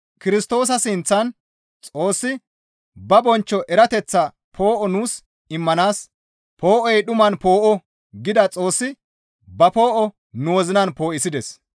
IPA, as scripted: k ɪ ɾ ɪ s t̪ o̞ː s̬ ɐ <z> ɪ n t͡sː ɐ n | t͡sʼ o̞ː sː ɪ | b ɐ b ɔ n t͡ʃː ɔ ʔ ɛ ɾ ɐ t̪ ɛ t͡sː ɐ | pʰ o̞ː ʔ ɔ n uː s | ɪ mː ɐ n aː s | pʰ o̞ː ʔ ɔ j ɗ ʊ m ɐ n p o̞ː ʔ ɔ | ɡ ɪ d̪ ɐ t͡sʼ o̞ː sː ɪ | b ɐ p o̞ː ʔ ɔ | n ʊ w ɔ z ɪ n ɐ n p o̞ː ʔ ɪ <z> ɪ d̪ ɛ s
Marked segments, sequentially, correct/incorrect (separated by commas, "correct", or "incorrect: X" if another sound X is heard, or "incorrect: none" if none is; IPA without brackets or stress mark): incorrect: s, incorrect: s